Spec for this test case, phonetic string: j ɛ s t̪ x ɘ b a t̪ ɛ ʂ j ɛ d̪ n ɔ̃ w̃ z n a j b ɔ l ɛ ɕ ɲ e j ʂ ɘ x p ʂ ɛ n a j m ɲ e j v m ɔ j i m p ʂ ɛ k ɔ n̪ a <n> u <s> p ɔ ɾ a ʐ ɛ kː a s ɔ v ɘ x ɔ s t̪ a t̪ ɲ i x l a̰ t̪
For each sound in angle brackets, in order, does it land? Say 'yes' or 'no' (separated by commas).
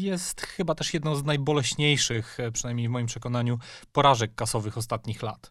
no, no